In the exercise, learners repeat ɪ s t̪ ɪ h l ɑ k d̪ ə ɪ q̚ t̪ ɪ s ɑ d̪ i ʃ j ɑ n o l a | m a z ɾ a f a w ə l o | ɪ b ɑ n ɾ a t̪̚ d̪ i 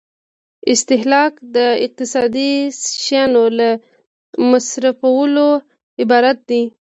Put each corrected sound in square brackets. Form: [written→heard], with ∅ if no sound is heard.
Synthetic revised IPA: ɪ s t̪ ɪ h l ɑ k d̪ ə ɪ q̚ t̪ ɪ s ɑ d̪ i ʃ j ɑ n o l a | m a [z→s] ɾ a f a w ə l o | ɪ b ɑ [n→∅] ɾ a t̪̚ d̪ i